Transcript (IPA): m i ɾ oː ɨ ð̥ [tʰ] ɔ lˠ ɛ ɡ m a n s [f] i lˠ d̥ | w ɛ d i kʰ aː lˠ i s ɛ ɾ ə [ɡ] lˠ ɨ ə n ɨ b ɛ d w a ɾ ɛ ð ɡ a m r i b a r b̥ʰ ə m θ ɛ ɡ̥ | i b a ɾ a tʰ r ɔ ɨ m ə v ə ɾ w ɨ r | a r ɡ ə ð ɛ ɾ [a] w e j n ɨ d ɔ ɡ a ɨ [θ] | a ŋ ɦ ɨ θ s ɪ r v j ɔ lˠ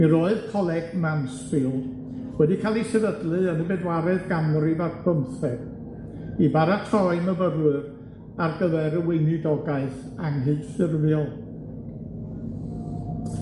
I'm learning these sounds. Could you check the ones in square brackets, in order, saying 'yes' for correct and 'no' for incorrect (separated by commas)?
no, yes, no, no, yes